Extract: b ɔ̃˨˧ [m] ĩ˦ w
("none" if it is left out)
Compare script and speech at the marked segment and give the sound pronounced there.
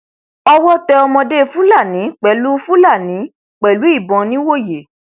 n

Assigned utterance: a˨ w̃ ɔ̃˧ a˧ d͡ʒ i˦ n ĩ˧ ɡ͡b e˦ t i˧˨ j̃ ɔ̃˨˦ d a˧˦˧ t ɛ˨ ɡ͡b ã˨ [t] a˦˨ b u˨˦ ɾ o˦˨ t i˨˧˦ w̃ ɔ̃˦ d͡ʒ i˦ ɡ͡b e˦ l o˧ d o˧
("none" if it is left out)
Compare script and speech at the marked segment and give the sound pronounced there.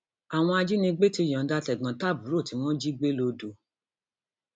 t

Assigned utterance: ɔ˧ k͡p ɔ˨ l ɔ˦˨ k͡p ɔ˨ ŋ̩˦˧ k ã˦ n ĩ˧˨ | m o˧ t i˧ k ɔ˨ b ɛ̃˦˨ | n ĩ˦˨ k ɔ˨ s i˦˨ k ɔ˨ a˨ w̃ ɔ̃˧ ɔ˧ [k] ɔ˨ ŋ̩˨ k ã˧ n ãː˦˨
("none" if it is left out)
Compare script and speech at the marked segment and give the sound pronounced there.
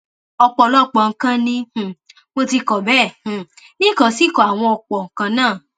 k͡p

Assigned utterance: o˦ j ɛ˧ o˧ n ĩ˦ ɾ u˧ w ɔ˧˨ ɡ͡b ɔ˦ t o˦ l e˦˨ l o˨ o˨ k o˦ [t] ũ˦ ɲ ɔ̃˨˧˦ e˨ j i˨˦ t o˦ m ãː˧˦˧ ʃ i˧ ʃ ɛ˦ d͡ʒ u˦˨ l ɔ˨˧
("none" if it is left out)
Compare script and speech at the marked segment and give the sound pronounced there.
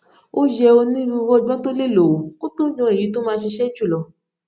t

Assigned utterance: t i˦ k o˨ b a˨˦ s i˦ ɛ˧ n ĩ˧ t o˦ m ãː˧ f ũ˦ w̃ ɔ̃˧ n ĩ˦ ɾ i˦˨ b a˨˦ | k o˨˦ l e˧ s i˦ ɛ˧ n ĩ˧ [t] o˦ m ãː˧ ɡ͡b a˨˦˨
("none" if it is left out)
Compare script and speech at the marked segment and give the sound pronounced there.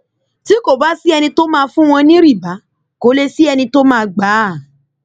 t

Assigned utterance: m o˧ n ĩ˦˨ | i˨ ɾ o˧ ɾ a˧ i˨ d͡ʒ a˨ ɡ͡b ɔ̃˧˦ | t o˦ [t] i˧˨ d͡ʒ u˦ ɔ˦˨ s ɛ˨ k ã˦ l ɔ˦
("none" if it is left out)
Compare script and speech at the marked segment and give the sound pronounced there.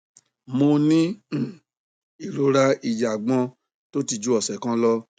t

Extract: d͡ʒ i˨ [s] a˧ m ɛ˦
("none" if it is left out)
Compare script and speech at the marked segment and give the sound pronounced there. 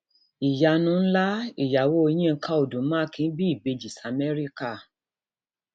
s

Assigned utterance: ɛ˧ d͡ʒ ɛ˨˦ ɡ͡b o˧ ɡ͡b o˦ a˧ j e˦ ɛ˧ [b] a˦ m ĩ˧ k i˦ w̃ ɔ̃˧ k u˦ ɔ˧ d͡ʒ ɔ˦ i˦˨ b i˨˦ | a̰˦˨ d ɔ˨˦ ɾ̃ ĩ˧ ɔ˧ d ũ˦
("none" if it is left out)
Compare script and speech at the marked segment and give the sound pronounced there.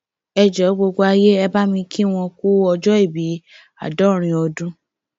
b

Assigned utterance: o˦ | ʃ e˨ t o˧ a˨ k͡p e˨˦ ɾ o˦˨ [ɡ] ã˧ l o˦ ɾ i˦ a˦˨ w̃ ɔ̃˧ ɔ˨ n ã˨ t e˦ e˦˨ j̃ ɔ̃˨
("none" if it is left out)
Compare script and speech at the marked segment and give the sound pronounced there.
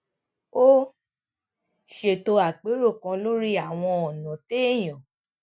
k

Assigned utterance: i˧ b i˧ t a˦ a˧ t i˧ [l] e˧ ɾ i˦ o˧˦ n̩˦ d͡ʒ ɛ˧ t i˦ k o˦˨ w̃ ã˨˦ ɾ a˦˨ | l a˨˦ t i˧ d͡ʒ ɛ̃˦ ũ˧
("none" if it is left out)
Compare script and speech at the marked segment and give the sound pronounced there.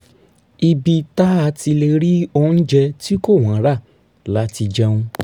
l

